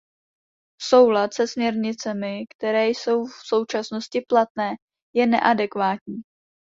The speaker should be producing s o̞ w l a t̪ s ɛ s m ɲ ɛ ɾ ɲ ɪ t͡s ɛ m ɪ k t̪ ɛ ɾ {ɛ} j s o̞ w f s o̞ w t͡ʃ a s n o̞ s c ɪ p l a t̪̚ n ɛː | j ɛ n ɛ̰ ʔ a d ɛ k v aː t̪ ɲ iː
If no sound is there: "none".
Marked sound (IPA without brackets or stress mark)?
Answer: ɛː